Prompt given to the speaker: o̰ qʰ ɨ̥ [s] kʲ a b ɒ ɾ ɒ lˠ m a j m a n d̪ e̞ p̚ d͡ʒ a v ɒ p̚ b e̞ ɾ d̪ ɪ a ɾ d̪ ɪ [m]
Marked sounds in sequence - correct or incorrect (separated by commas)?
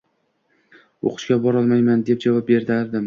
incorrect, correct